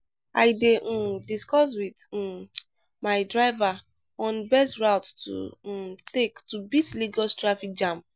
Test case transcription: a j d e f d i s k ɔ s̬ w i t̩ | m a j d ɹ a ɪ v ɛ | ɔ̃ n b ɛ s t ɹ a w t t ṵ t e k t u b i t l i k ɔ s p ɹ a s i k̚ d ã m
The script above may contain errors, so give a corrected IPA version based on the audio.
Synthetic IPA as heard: a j d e d i s k ɔ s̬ w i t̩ | m a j d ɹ a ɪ v a | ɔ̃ n b ɛ s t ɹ a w t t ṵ t e k t u b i t l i ɡ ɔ s t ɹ a f i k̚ d͡ʒ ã m